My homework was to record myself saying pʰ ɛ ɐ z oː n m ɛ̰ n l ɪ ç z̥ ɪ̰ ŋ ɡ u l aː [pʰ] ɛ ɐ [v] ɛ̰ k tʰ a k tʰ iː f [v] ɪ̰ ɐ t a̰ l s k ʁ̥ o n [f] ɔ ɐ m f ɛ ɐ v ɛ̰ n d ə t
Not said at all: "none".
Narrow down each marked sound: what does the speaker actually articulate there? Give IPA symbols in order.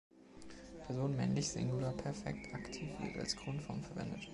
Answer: pʰ, f, v, f

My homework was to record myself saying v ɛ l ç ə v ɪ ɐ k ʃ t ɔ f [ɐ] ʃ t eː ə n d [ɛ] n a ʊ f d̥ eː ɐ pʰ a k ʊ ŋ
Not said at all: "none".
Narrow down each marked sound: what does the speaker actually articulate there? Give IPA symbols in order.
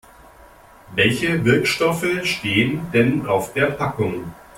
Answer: ə, ɛ

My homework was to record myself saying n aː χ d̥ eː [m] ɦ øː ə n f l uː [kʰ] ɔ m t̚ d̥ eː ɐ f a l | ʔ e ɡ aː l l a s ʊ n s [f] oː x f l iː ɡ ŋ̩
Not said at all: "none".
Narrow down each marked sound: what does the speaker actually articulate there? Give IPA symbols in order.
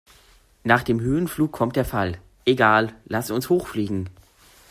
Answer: m, kʰ, h

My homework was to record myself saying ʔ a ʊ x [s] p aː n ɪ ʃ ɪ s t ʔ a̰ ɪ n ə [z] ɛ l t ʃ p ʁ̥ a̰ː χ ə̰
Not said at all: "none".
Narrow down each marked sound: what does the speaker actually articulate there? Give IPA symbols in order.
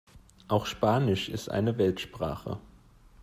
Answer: ʃ, v

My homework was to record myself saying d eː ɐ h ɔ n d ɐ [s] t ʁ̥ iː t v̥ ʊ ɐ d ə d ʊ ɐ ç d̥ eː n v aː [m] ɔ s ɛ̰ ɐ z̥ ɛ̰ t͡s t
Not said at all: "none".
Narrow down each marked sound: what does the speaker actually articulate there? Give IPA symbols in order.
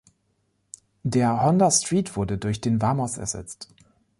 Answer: s, m

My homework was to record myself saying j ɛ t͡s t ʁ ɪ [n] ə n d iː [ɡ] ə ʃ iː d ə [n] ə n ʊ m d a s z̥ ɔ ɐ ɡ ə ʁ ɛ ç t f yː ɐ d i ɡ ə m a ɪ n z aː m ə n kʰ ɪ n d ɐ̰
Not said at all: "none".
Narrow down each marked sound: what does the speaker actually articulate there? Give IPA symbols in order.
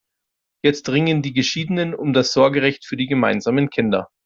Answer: ŋ, ɡ, n

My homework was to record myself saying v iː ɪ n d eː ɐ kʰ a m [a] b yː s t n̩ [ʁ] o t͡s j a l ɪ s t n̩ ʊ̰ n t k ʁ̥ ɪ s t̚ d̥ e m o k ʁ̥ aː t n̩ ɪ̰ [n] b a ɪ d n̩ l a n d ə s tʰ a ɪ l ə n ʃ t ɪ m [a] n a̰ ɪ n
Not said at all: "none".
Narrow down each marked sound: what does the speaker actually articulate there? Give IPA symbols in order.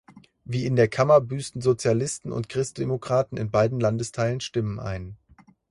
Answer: ɐ, z, n, ə

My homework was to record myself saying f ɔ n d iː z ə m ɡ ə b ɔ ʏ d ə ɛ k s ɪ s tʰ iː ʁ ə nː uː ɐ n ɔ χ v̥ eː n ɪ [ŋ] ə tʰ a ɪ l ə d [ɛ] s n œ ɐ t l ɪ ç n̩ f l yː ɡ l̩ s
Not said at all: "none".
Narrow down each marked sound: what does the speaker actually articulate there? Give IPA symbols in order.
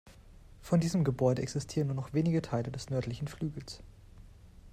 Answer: ɡ, ɛ

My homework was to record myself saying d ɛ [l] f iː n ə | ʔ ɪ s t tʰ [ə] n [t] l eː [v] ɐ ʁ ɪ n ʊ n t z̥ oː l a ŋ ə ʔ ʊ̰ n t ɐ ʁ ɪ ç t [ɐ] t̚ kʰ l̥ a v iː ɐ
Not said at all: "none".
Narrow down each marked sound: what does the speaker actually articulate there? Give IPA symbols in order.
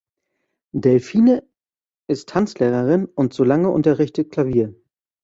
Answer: l, a, t͡s, ʁ, ə

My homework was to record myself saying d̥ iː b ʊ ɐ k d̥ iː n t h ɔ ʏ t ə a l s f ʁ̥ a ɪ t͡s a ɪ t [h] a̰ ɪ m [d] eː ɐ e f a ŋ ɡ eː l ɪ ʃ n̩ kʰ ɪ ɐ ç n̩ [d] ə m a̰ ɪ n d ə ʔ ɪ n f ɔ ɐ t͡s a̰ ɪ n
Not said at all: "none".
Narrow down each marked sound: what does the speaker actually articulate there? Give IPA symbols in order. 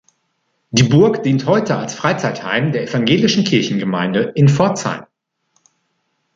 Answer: h, d, ɡ

